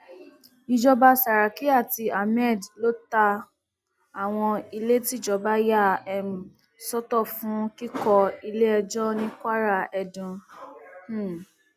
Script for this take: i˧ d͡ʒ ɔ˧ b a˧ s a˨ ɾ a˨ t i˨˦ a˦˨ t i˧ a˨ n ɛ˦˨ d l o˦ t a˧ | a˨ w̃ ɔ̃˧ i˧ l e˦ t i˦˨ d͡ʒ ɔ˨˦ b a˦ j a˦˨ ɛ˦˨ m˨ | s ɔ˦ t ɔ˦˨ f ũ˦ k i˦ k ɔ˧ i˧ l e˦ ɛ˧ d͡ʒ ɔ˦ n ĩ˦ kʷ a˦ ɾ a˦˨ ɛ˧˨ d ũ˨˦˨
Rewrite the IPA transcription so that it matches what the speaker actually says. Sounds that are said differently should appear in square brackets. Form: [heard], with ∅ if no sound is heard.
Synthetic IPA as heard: i˧ d͡ʒ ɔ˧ b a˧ s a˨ ɾ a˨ [k] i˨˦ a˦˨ t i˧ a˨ [m] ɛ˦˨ d l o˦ t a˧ | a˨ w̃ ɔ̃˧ i˧ l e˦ t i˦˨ d͡ʒ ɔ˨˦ b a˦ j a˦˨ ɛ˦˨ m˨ | s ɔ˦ t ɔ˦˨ f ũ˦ k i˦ k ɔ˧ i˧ l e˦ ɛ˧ d͡ʒ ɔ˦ n ĩ˦ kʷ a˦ ɾ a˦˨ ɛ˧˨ d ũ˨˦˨